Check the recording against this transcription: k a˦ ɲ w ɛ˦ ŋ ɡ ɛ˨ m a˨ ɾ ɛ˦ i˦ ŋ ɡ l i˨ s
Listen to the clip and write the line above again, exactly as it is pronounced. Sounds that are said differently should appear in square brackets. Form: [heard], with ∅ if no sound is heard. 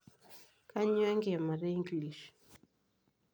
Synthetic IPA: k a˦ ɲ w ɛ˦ ŋ ɡ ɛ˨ m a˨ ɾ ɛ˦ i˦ ŋ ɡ l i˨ [ʃ]